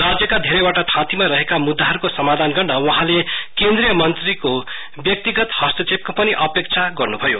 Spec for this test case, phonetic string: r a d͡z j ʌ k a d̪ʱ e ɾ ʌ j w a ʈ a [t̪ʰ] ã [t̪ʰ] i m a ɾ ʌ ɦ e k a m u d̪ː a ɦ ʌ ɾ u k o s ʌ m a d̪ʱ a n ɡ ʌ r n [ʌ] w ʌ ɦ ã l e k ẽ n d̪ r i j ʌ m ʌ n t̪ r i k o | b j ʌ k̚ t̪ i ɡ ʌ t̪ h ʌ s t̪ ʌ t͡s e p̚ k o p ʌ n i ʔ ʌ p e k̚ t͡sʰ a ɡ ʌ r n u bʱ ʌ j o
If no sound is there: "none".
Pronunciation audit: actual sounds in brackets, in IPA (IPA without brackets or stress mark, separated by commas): t̪ʰ, t̪, ʌ